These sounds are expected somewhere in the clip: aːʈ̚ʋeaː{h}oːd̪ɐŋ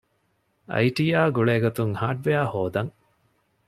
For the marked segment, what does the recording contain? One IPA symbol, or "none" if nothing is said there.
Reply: h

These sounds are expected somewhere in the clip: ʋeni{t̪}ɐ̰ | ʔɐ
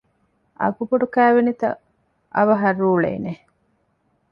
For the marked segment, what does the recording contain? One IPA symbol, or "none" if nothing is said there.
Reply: t̪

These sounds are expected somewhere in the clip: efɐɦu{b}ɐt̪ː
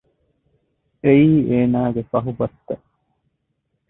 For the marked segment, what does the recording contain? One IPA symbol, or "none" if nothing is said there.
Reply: b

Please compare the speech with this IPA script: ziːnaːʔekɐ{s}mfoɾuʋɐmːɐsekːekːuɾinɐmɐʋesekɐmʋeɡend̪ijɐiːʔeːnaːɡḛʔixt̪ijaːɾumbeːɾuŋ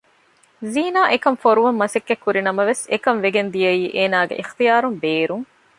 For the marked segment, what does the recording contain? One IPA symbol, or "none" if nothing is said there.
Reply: none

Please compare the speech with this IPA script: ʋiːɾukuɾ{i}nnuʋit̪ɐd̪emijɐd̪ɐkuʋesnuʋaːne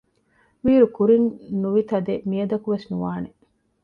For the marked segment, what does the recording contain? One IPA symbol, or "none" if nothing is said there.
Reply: i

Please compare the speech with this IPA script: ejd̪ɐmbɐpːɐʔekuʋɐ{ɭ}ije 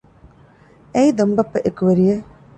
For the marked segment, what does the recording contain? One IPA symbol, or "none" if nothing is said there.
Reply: ɾ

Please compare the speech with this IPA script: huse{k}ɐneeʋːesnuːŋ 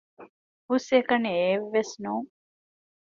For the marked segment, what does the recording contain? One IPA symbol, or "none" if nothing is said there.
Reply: k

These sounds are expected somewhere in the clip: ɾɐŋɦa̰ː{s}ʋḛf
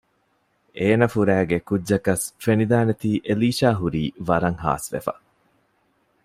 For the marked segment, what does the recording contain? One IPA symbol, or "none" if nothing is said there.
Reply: s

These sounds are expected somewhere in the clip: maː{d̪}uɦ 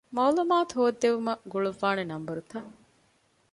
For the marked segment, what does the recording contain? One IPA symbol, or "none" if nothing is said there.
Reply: t̪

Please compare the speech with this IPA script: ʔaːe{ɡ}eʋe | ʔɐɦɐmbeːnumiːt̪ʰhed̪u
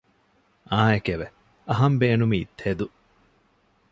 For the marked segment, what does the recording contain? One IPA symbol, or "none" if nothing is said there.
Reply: k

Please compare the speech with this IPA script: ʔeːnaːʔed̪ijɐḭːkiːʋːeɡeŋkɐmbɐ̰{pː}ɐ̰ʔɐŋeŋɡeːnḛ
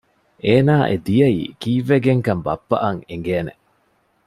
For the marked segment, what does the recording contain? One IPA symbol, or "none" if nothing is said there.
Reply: pː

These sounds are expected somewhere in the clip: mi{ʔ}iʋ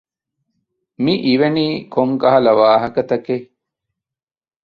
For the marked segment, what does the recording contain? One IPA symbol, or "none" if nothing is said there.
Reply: ʔ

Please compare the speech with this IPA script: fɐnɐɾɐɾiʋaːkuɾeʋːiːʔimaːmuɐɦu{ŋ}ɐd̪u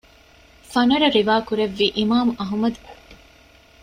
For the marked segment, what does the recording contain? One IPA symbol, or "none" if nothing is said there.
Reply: m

